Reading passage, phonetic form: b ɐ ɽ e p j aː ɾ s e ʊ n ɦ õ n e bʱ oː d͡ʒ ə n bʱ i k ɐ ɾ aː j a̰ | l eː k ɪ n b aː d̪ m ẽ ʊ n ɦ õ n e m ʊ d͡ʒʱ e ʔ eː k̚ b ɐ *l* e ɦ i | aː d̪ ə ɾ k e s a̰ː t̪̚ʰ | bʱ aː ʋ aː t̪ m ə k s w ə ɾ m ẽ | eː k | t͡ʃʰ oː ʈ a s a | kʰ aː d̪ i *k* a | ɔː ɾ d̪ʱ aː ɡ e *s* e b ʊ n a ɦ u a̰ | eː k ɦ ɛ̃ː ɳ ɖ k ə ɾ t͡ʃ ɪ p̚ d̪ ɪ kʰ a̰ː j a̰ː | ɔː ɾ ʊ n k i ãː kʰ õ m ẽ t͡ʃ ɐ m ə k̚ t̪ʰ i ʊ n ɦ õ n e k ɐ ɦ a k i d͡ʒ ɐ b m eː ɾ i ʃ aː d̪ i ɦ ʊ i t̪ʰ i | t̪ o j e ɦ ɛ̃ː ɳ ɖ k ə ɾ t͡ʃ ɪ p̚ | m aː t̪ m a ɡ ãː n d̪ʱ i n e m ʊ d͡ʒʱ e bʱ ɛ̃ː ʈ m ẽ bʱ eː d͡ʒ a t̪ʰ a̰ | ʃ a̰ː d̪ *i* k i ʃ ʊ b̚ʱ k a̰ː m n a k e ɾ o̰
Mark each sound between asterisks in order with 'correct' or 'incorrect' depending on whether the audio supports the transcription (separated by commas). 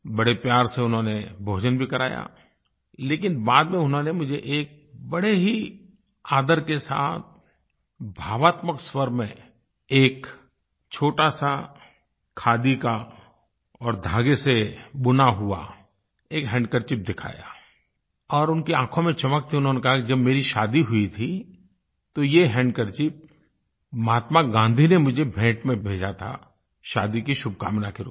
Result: incorrect, correct, correct, correct